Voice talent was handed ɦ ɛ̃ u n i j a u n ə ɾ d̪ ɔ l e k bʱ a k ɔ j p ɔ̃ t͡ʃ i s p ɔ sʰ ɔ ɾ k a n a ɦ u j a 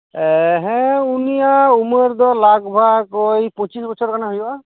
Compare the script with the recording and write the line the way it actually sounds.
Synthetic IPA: ɦ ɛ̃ u n i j a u m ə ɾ d̪ ɔ l a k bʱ a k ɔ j p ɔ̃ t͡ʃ i s b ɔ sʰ ɔ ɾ k a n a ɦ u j a